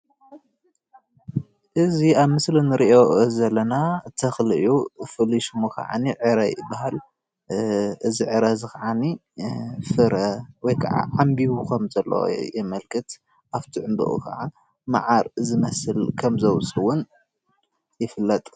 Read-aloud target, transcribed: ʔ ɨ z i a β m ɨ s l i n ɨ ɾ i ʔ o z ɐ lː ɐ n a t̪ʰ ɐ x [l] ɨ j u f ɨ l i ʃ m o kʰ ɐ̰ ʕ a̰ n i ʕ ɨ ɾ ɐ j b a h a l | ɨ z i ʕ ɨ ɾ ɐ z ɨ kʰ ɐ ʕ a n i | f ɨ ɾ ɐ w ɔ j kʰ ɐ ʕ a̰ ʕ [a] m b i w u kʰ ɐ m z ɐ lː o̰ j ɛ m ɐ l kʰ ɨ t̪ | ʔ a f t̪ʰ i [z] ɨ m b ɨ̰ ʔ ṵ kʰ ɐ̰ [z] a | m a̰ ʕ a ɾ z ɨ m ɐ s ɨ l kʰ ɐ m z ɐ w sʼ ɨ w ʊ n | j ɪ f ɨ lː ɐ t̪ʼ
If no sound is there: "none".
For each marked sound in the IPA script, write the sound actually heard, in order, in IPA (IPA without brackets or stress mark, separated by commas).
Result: l, a, ʕ, ʕ